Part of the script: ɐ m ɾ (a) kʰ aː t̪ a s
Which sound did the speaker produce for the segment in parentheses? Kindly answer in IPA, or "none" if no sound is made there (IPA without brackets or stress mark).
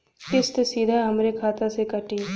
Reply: e